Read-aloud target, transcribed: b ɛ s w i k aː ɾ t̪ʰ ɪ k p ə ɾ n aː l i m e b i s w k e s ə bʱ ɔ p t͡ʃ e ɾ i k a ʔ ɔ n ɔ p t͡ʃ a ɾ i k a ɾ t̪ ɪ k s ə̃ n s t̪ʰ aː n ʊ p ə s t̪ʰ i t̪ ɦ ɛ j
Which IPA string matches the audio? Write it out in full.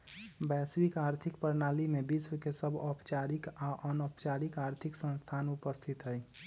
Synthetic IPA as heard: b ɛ s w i k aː ɾ t̪ʰ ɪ k p ə ɾ n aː l i m e b i s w k e s ə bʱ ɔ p t͡ʃ a ɾ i k a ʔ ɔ n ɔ p t͡ʃ a ɾ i k a ɾ t̪ʰ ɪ k s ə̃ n s t̪ʰ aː n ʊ p ə s t̪ʰ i t̪ ɦ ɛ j